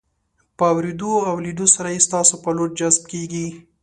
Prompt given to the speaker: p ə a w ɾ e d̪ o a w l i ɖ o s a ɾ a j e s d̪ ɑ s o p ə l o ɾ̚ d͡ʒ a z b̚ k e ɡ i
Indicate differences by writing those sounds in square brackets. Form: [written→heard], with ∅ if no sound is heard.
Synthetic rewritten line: p ə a w ɾ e d̪ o a w l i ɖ o s a ɾ a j e s [d̪→t̪] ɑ s o p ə l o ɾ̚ d͡ʒ a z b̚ k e ɡ i